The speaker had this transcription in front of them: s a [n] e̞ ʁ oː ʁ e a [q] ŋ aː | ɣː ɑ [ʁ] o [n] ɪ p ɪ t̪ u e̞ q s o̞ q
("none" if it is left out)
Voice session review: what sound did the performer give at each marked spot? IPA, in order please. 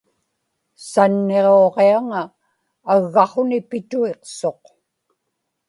nː, none, χ, n

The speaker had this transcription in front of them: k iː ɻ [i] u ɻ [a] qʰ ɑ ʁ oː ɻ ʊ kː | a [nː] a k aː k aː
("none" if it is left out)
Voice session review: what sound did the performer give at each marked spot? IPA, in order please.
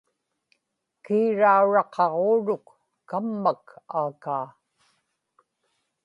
a, ɑ, mː

